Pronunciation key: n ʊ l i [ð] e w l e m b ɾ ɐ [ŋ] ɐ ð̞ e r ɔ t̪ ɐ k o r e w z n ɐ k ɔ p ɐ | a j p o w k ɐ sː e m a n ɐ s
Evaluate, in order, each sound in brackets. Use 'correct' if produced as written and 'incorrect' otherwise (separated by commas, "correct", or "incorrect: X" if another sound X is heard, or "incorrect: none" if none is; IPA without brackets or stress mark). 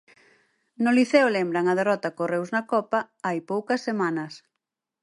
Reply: incorrect: θ, correct